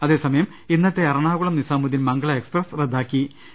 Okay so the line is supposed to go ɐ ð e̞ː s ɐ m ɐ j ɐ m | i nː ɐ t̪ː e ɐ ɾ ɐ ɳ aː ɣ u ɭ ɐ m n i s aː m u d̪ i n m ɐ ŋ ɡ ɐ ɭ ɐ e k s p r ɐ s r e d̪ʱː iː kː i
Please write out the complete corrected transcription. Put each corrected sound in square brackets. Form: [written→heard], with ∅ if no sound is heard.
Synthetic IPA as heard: ɐ ð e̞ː s ɐ m ɐ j ɐ m | i nː ɐ t̪ː e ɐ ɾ ɐ ɳ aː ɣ u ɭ ɐ m n i s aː m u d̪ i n m ɐ ŋ ɡ ɐ ɭ ɐ e k s p r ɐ s r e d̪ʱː [iː→aː] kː i